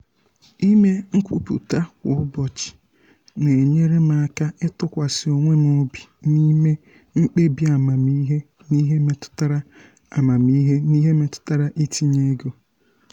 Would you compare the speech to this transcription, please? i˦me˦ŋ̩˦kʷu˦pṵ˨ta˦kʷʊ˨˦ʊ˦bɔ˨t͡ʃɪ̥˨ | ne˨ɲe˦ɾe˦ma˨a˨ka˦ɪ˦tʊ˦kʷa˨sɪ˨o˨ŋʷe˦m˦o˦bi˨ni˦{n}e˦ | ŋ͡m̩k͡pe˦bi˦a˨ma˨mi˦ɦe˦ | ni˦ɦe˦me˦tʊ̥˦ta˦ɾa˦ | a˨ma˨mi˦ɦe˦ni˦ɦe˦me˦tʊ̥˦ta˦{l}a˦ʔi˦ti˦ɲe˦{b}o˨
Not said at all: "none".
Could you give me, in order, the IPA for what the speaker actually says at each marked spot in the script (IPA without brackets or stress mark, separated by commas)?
m, ɾ, ɡ